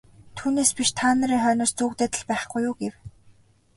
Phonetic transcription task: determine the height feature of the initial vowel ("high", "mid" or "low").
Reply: high